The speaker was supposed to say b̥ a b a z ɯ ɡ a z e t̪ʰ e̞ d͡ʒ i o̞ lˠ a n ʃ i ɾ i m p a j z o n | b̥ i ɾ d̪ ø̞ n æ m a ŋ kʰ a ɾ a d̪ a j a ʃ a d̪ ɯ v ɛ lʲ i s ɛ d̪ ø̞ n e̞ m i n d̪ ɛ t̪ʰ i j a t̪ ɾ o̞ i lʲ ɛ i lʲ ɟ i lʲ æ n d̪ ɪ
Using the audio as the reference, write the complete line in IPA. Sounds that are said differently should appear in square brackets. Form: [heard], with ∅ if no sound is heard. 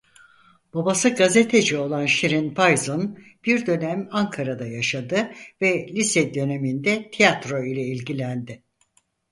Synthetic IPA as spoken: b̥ a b a [s] ɯ ɡ a z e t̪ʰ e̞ d͡ʒ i o̞ lˠ a n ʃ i ɾ i [n] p a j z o n | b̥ i ɾ d̪ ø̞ n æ m a ŋ kʰ a ɾ a d̪ a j a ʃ a d̪ ɯ v ɛ lʲ i s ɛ d̪ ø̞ n e̞ m i n d̪ ɛ t̪ʰ i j a t̪ ɾ o̞ i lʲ ɛ i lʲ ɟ i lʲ æ n d̪ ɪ

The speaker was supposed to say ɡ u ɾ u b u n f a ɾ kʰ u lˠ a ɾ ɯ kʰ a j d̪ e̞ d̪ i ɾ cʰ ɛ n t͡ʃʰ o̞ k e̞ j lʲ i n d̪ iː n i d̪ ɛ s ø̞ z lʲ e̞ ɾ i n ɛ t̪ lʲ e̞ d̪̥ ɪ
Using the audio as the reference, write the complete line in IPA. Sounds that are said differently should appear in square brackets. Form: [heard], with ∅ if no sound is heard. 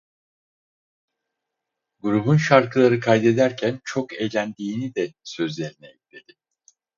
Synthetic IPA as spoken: ɡ u ɾ u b u n [ʃ] a ɾ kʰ [ɯ] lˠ a ɾ ɯ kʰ a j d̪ e̞ d̪ [æ] ɾ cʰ [æ] n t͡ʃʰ o̞ k e̞ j lʲ [æ] n d̪ iː n i d̪ ɛ s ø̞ z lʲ e̞ ɾ i n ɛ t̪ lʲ e̞ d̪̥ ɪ

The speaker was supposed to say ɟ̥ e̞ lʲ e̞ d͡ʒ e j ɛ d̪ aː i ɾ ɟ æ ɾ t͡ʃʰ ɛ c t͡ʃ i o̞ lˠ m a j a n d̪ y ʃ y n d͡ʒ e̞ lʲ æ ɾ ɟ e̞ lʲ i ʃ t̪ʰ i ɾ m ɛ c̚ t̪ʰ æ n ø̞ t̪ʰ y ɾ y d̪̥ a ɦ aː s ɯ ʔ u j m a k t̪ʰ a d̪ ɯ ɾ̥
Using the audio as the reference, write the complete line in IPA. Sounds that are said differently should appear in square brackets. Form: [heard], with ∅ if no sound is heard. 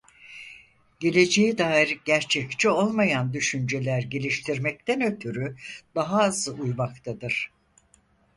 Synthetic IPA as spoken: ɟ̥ e̞ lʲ e̞ d͡ʒ e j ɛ d̪ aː i ɾ ɟ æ ɾ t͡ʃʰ ɛ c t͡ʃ i o̞ lˠ m a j a n d̪ y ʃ y n d͡ʒ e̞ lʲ æ ɾ ɟ e̞ lʲ i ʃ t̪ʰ i ɾ m ɛ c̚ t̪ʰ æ n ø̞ t̪ʰ y ɾ y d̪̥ a ɦ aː [z] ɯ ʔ u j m a k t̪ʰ a d̪ ɯ ɾ̥

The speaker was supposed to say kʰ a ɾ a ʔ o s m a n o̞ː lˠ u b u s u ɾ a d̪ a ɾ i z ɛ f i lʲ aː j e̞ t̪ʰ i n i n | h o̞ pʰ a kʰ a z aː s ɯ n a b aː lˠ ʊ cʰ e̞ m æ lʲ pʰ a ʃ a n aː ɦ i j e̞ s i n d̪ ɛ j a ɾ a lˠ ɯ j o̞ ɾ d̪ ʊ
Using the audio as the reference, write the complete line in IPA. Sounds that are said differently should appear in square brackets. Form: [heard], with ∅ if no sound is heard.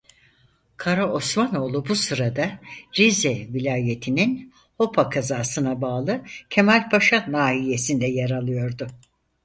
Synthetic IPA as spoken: kʰ a ɾ a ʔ o s m a n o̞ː lˠ u b u s [ɯ] ɾ a d̪ a ɾ i z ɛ [v] i lʲ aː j e̞ t̪ʰ i n i n | h o̞ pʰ a kʰ a z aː s ɯ n a b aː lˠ [ɯ] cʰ e̞ m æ lʲ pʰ a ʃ a n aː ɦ i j e̞ s i n d̪ ɛ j a ɾ a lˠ ɯ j o̞ ɾ d̪ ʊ

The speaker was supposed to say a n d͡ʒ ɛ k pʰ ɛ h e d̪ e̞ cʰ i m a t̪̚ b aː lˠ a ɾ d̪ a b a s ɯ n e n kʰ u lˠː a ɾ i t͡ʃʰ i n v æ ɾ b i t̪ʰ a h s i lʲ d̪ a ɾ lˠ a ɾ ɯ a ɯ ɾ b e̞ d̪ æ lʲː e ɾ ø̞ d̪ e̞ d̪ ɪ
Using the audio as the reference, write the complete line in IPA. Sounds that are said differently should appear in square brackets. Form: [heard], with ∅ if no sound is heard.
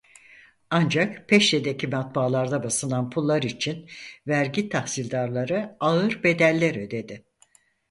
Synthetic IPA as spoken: a n d͡ʒ [a] k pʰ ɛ [ʃ] e d̪ e̞ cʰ i m a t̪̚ b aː lˠ a ɾ d̪ a b a s ɯ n [a] n [pʰ] u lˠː a ɾ i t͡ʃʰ i n v æ ɾ [ɟ] i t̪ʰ a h s i lʲ d̪ a ɾ lˠ a ɾ ɯ a ɯ ɾ b e̞ d̪ æ lʲː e ɾ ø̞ d̪ e̞ d̪ ɪ

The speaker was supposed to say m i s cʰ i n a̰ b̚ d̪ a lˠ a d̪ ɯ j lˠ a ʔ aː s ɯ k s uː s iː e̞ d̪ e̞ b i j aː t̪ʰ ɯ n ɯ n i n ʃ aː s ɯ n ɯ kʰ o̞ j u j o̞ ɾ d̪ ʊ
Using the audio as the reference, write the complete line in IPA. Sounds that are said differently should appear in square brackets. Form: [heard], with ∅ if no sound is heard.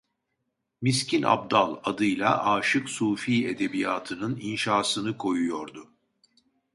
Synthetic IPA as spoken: m i s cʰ i n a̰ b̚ d̪ a lˠ a d̪ ɯ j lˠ a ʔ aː [ʃ] ɯ k s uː [f] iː e̞ d̪ e̞ b i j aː t̪ʰ ɯ n ɯ n i n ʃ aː s ɯ n ɯ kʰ o̞ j u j o̞ ɾ d̪ ʊ

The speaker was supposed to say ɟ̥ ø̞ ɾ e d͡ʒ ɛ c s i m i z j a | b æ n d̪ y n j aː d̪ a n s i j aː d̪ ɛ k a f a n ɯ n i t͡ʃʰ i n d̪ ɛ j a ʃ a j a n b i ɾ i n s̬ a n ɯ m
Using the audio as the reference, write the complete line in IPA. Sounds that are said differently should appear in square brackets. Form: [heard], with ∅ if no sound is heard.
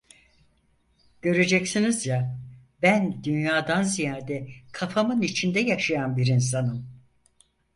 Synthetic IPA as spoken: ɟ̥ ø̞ ɾ e d͡ʒ ɛ c s i [n] i z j a | b æ n d̪ y n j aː d̪ a n [z] i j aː d̪ ɛ [kʰ] a f a [m] ɯ n i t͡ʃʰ i n d̪ ɛ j a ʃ a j a n b i ɾ i n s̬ a n ɯ m

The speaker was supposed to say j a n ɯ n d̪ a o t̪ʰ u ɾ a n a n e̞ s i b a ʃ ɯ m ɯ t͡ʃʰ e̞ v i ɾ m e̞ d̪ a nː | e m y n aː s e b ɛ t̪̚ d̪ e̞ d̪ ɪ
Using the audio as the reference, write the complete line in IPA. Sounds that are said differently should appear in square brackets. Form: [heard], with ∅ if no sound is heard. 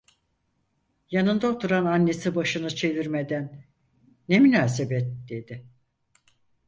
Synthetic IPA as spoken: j a n ɯ n d̪ a o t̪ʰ u ɾ a n a [nː] e̞ s i b a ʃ ɯ [n] ɯ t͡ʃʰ e̞ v i ɾ m e̞ d̪ [æ] nː | e m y n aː s e b ɛ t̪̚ d̪ e̞ d̪ ɪ

